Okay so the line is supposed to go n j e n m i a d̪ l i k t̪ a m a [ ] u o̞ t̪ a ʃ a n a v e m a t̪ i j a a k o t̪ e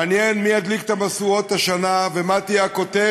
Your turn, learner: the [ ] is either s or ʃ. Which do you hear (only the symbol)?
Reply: s